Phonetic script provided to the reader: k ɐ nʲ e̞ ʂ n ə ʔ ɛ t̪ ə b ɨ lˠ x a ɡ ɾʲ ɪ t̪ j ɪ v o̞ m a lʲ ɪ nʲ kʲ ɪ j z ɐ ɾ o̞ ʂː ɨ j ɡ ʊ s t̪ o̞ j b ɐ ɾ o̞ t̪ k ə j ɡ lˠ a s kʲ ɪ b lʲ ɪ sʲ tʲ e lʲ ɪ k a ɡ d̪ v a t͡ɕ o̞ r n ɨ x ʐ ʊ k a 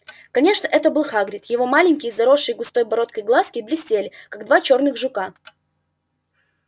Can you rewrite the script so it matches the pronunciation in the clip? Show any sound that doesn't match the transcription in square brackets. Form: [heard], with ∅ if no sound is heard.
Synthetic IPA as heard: k ɐ nʲ e̞ ʂ n ə ʔ ɛ t̪ ə b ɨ lˠ x a ɡ ɾʲ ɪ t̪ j ɪ v o̞ m a lʲ ɪ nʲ kʲ ɪ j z ɐ ɾ o̞ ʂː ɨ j ɡ ʊ s t̪ o̞ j b ɐ ɾ o̞ t̪ k ə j ɡ lˠ a s kʲ ɪ b lʲ ɪ sʲ tʲ e lʲ ɪ k a ɡ d̪ v a t͡ɕ o̞ r n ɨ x ʐ ʊ k a